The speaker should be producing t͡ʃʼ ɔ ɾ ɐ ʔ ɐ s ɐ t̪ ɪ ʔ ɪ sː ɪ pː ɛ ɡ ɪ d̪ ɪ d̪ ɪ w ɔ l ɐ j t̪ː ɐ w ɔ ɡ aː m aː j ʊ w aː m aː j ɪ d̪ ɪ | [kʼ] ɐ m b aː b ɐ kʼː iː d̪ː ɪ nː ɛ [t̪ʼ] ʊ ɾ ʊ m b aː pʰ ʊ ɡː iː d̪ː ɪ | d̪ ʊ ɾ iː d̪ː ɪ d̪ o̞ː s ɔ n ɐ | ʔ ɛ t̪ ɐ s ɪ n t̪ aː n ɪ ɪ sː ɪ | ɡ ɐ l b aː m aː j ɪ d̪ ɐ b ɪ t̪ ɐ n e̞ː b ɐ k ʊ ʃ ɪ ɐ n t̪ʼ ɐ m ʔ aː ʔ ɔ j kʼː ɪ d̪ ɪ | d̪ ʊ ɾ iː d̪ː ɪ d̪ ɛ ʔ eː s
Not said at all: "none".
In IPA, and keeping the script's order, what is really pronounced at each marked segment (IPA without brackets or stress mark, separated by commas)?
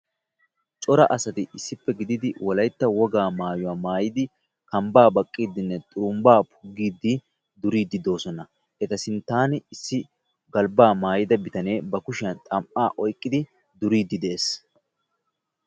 k, t̪ʼ